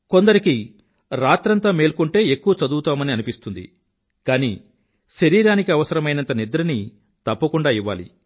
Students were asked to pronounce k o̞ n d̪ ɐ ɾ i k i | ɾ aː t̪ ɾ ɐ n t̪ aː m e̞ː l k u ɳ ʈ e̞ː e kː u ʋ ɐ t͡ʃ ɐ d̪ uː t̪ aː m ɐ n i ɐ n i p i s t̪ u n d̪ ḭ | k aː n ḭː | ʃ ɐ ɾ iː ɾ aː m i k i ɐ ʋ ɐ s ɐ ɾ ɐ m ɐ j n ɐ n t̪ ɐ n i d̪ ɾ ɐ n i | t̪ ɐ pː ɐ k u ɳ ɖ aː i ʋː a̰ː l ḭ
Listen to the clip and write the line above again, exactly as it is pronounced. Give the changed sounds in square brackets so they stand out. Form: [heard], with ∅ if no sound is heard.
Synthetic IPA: k o̞ n d̪ ɐ ɾ i k i | ɾ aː t̪ ɾ ɐ n t̪ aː m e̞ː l k u ɳ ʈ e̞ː e kː u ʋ ɐ t͡ʃ ɐ d̪ uː t̪ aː m ɐ n i ɐ n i p i s t̪ u n d̪ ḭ | k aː n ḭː | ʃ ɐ ɾ iː ɾ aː [n] i k i ɐ ʋ ɐ s ɐ ɾ ɐ m ɐ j n ɐ n t̪ ɐ n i d̪ ɾ ɐ n i | t̪ ɐ pː ɐ k u ɳ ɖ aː i ʋː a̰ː l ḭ